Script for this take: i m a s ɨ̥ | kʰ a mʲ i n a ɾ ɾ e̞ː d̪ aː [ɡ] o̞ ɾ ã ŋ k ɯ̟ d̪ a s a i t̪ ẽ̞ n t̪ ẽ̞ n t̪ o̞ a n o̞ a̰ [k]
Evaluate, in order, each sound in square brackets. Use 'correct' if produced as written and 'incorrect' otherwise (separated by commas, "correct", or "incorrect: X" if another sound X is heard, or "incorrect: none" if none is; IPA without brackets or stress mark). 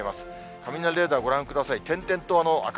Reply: correct, correct